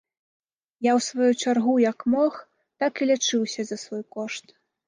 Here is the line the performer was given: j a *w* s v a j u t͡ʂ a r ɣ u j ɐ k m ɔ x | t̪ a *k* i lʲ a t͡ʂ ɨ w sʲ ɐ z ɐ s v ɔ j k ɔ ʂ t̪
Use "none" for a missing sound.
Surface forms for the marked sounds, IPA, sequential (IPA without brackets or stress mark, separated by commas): w, k